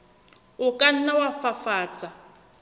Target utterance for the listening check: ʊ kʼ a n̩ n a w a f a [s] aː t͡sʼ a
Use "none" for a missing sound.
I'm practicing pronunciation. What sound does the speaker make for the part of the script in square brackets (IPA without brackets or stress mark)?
f